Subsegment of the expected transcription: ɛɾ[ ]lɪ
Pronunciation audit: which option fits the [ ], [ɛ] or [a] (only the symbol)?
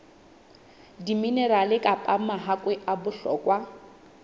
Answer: a